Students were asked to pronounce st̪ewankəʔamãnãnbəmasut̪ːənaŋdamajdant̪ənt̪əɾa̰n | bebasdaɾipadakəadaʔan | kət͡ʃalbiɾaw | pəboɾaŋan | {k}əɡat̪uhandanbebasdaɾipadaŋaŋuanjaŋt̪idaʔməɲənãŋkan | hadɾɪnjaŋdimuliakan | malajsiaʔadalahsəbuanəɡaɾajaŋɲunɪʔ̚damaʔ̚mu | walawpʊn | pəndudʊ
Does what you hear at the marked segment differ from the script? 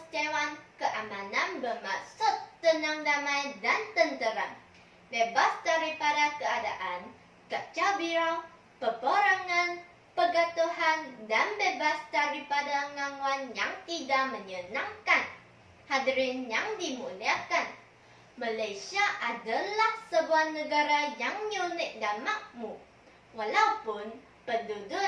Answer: yes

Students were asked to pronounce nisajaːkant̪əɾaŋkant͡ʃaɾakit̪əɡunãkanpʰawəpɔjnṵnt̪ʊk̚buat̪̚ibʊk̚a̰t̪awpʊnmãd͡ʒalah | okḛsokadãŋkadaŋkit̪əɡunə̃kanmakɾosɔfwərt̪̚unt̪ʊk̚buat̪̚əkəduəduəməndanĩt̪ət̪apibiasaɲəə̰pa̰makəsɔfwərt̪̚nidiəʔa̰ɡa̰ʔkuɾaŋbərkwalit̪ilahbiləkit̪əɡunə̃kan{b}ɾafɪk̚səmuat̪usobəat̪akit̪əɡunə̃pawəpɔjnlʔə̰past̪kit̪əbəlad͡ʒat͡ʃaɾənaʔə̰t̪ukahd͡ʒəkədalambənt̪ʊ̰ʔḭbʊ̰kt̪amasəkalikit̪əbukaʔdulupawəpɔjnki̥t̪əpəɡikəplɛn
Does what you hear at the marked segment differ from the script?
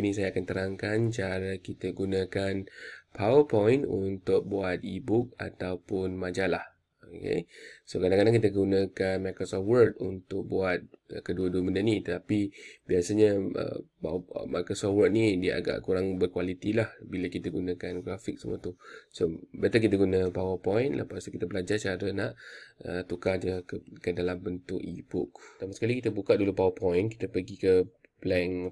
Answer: yes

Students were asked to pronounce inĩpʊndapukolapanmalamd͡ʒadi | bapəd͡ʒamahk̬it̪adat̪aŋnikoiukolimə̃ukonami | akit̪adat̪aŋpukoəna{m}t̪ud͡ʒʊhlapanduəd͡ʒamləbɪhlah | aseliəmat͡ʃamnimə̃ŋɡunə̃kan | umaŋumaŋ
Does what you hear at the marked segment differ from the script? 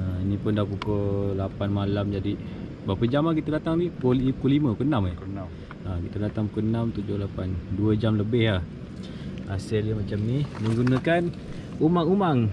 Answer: no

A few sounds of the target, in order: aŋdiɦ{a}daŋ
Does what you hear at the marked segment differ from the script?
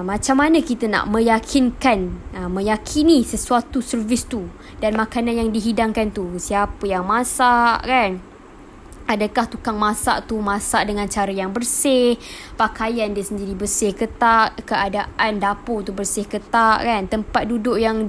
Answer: yes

